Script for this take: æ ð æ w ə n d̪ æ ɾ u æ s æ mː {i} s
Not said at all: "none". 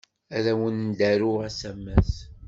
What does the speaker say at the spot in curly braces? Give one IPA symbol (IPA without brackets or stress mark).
æ